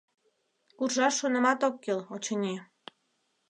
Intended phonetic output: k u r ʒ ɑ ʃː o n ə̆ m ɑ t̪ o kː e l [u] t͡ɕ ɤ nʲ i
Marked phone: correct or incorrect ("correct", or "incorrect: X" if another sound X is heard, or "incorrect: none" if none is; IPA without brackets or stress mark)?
incorrect: o